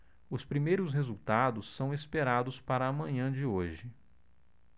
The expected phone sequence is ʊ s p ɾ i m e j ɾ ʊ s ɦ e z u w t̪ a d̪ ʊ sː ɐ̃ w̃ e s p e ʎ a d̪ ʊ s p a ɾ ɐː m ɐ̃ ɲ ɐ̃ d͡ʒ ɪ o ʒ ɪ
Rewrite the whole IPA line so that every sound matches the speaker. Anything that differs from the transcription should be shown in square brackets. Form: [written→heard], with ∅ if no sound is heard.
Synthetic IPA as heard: ʊ s p ɾ i m e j ɾ ʊ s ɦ e z u w t̪ a d̪ ʊ sː ɐ̃ w̃ e s p e [ʎ→ɾ] a d̪ ʊ s p a ɾ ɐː m ɐ̃ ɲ ɐ̃ d͡ʒ ɪ o ʒ ɪ